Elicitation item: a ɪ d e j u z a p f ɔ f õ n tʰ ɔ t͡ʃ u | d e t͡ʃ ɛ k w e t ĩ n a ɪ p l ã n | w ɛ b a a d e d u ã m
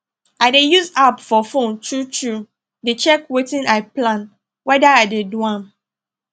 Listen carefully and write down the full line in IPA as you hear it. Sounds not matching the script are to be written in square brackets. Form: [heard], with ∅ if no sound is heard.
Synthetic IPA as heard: a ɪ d e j u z a p f ɔ f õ n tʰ [u] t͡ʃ u | d e t͡ʃ ɛ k w e t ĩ n a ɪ p l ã n | w ɛ [d] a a d e d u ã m